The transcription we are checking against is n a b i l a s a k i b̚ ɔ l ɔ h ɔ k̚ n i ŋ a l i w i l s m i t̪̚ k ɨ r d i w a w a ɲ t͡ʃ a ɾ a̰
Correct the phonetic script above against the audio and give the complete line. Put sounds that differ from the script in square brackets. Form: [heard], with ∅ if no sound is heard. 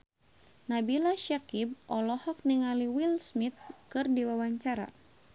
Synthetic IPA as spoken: n a b i l a [ʃ] a k i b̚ ɔ l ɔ h ɔ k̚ n i ŋ a l i w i l s m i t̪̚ k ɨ r d i w a w a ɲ t͡ʃ a ɾ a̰